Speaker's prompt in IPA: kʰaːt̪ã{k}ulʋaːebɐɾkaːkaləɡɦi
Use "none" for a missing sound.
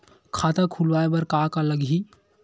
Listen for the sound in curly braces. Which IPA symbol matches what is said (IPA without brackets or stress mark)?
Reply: kʰ